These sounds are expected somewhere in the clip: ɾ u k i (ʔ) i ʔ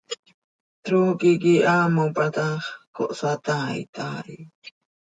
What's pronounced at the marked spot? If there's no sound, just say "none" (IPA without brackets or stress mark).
k